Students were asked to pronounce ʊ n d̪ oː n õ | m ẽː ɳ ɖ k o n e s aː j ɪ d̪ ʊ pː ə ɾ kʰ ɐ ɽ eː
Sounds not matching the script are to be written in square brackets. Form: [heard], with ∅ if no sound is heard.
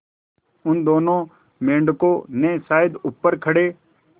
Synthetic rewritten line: ʊ n d̪ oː n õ | m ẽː ɳ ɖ k o n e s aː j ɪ d̪ ʊ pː ə ɾ kʰ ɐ ɽ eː